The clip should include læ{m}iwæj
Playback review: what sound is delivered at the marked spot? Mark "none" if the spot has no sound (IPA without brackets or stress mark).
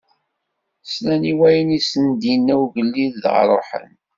n